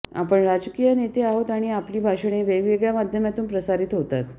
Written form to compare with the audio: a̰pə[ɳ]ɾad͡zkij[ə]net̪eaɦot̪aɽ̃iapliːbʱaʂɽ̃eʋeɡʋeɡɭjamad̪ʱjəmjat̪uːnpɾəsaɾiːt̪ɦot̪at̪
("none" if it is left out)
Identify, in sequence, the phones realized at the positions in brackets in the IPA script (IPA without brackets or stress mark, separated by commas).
ɳ, ə